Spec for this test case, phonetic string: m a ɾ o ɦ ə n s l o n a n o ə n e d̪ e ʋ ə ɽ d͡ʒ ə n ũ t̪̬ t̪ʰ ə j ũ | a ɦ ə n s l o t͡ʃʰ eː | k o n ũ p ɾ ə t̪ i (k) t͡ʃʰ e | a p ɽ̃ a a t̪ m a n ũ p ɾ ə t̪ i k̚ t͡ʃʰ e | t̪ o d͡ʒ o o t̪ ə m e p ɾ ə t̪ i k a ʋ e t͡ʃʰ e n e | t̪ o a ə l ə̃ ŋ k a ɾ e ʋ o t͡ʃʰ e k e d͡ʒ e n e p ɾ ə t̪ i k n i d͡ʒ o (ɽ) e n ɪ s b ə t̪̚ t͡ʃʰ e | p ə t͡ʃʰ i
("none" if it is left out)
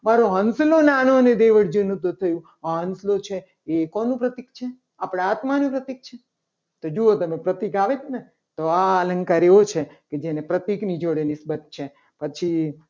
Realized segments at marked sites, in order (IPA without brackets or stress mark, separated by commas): k, ɽ